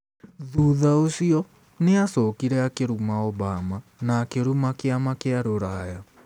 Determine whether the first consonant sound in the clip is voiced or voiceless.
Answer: voiced